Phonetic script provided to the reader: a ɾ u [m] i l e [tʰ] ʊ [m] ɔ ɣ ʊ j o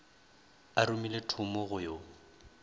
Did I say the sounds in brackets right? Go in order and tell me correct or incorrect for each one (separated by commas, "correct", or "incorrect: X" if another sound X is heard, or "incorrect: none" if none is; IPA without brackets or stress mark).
correct, correct, correct